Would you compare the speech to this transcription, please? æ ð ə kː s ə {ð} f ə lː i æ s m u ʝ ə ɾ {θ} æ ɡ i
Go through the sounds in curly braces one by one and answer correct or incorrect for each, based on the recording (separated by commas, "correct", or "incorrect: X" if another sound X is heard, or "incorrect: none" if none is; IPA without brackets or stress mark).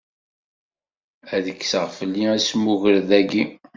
incorrect: ʁ, incorrect: ð